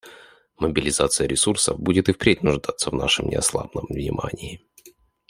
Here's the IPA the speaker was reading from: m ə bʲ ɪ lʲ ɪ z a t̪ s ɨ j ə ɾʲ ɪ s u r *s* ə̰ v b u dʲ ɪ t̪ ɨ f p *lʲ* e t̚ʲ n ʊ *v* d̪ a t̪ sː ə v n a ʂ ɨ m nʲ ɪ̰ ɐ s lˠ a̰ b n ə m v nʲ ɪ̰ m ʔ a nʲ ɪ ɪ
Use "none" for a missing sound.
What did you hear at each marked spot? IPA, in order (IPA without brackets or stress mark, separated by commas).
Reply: s, ɾʲ, ʐ